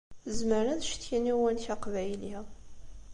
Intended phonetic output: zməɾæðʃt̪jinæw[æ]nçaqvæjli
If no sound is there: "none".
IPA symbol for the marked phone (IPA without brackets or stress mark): æ